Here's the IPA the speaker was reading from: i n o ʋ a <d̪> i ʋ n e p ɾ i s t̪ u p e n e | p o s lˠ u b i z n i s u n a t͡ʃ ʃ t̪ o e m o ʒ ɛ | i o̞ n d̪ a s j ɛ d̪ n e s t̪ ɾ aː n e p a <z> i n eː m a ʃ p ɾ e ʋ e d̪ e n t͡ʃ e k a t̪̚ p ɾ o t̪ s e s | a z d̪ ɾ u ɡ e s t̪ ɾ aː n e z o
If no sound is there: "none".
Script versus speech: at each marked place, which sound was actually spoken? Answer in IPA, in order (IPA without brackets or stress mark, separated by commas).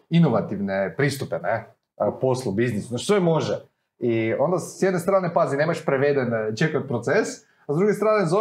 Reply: t̪, z